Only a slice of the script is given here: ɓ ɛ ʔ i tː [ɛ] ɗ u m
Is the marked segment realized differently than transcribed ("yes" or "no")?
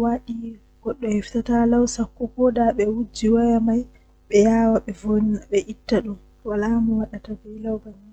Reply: yes